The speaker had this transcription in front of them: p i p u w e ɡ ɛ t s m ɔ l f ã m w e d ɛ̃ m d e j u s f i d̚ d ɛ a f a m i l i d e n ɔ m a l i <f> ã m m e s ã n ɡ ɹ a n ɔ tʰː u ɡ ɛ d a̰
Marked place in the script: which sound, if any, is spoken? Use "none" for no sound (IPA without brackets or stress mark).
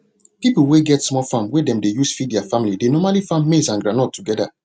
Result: f